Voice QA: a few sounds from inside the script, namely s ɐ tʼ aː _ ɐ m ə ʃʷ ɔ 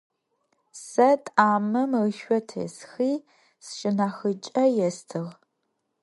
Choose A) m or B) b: A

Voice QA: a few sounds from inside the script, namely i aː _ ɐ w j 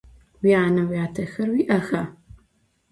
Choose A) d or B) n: B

